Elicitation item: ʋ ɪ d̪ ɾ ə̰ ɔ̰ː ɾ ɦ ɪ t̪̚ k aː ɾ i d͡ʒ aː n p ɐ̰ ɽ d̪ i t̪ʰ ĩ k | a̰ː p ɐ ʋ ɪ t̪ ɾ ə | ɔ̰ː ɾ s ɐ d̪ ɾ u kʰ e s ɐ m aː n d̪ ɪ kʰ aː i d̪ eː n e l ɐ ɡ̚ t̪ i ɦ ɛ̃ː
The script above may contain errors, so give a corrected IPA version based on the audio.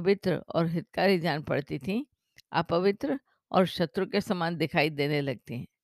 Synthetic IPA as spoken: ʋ ɪ t̪ ɾ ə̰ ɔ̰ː ɾ ɦ ɪ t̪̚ k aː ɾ i d͡ʒ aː n p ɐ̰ ɽ t̪ i t̪ʰ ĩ | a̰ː p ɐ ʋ ɪ t̪ ɾ ə | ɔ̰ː ɾ ʃ ɐ t̪ ɾ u k e s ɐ m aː n d̪ ɪ kʰ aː i d̪ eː n e l ɐ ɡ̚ t̪ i ɦ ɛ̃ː